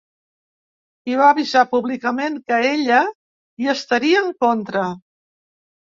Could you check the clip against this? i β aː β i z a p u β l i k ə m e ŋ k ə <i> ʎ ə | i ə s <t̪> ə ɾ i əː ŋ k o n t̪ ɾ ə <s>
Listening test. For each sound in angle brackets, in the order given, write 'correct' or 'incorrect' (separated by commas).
incorrect, correct, incorrect